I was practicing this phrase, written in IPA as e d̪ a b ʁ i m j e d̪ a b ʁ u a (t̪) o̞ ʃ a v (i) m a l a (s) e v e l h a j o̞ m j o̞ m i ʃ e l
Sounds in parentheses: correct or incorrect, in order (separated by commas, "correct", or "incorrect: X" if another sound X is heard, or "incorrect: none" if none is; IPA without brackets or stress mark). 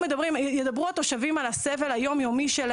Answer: correct, correct, correct